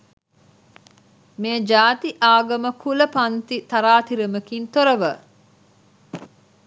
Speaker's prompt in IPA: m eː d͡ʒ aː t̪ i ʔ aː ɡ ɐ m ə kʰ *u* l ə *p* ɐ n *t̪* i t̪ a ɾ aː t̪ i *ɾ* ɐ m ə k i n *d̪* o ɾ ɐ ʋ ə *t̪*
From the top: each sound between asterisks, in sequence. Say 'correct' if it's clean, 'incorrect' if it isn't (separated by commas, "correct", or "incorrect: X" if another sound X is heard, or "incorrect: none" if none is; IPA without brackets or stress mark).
correct, correct, correct, correct, incorrect: t̪, incorrect: none